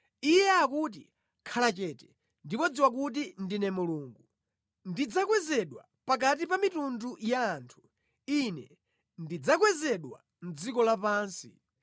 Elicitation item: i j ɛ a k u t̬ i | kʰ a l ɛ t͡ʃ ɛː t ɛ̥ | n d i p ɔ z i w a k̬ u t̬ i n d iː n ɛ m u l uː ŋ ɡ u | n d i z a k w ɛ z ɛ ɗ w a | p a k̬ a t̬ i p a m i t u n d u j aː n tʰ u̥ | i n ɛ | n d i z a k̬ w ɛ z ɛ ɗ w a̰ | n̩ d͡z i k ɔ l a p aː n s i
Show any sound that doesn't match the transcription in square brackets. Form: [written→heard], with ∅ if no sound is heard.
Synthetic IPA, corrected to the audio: i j ɛ a k u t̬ i | kʰ a l [ɛ→a] t͡ʃ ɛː t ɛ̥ | n d i p ɔ [z→d͡z] i w a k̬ u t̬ i n d [iː→i] n ɛ m u l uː ŋ ɡ u | n d i [z→d͡z] a k w ɛ z ɛ ɗ w a | p a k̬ a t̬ i p a m i t u n d u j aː n tʰ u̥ | i n ɛ | n d i [z→d͡z] a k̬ w ɛ z ɛ ɗ w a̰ | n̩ d͡z i k ɔ l a p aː n s i